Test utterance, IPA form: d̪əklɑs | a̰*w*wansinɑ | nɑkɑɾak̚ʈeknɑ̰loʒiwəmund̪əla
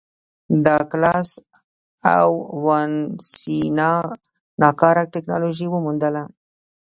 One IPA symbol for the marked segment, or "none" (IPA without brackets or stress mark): w